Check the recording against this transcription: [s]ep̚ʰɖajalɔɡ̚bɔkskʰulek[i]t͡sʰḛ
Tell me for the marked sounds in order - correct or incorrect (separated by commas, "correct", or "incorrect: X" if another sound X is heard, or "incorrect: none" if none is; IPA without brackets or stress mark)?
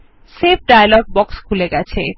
correct, incorrect: a